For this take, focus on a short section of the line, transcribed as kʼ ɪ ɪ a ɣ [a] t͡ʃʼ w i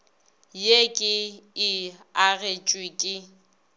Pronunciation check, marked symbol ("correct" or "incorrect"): incorrect